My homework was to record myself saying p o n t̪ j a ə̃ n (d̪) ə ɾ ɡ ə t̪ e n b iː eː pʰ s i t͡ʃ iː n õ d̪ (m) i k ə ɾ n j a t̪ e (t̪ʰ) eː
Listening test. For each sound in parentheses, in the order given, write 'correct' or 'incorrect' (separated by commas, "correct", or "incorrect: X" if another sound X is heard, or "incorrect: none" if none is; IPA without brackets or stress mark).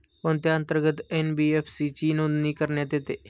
incorrect: t̪, incorrect: n, incorrect: t̪